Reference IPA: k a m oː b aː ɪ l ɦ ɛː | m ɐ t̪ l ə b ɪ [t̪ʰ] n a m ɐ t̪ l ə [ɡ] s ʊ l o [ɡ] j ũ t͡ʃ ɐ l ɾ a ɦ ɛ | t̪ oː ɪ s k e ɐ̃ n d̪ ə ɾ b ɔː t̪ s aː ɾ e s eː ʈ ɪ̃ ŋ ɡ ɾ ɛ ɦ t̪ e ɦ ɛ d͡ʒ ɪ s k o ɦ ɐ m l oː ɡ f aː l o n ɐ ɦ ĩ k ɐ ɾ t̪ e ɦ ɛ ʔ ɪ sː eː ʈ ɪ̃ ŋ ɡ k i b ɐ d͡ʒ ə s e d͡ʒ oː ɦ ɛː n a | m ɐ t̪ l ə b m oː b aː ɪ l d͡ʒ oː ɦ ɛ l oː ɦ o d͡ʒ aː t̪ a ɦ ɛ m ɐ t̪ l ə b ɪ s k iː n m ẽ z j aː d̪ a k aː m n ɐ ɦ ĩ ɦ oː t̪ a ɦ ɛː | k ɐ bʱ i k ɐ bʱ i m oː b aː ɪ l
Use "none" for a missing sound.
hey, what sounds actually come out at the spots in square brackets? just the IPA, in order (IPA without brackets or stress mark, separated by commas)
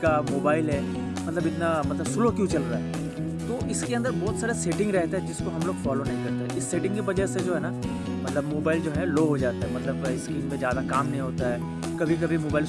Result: t̪, b, k